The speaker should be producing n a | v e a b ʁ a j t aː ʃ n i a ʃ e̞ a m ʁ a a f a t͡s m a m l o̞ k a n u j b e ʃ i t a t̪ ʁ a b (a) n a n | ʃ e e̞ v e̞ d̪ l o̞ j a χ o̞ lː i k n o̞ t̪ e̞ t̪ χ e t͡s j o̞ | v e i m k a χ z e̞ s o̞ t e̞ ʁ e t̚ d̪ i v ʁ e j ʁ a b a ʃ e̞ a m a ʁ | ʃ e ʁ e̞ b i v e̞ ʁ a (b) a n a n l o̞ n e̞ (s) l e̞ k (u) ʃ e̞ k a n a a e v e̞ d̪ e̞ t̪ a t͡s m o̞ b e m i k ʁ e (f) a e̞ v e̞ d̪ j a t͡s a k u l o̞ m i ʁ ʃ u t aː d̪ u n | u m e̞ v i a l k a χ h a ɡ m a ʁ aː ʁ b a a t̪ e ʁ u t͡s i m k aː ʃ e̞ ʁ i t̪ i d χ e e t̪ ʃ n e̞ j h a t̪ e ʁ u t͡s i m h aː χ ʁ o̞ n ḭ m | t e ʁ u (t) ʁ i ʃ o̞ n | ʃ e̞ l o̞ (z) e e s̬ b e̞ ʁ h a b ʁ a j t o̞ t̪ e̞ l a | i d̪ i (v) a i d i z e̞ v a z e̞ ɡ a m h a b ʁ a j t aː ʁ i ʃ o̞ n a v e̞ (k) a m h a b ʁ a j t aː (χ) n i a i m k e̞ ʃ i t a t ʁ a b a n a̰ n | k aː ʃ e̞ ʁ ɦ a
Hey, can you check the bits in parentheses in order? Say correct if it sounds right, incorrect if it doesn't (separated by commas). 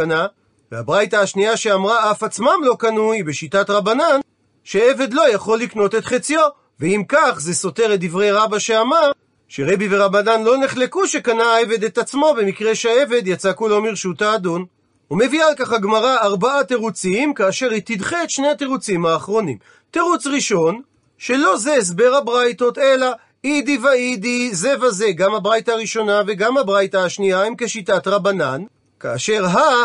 correct, correct, incorrect, correct, incorrect, incorrect, correct, correct, incorrect, incorrect